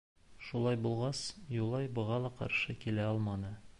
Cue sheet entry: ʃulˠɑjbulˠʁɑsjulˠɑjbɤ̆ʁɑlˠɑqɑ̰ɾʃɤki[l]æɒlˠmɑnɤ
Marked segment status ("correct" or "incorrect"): correct